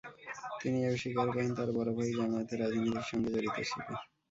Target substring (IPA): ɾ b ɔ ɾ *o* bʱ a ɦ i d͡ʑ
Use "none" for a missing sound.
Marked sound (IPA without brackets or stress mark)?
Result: o